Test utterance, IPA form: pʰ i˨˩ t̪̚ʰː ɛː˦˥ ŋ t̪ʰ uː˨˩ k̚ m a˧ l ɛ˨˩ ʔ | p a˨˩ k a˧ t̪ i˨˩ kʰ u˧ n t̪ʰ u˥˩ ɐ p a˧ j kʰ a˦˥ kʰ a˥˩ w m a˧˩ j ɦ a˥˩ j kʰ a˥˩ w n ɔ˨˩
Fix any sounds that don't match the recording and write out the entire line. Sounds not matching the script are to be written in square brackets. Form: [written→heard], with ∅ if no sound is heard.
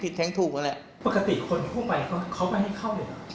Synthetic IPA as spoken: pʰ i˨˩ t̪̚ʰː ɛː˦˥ ŋ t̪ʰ uː˨˩ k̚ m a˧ l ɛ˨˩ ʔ | p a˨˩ k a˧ t̪ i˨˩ kʰ [u˧→o˧] n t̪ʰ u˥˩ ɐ p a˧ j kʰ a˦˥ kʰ [a˥˩→a˦˥] w m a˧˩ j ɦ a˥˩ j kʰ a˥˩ w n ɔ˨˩